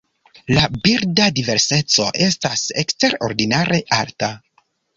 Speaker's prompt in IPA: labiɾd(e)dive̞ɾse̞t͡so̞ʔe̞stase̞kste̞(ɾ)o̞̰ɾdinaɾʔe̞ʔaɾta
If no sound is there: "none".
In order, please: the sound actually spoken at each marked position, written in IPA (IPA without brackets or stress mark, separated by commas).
a, ɾ